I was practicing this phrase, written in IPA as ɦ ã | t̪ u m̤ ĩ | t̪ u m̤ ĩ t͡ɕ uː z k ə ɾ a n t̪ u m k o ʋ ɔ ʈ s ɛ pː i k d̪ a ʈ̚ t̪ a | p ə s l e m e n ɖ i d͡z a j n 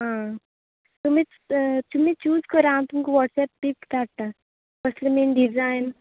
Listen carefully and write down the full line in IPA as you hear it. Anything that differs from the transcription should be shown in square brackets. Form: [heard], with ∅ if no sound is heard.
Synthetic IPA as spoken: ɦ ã | t̪ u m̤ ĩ | t̪ u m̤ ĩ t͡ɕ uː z k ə ɾ a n t̪ u m k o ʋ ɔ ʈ s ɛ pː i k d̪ a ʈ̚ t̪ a | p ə s l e m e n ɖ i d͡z a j n